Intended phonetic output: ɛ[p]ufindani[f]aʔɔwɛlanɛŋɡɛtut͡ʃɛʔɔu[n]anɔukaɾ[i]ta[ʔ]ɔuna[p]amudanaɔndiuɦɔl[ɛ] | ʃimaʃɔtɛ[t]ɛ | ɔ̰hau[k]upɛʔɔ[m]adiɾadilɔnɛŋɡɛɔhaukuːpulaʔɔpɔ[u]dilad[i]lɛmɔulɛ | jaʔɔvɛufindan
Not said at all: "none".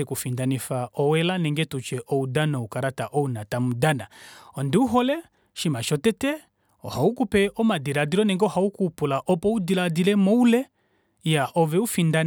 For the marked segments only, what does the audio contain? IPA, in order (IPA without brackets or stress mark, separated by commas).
k, f, d, a, ʔ, t, ɛ, t, k, m, u, i